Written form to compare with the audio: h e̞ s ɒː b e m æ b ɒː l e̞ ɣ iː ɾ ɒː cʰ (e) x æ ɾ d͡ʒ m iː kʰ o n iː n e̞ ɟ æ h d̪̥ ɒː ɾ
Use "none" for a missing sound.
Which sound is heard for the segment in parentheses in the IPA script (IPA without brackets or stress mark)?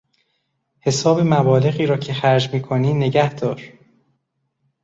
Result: e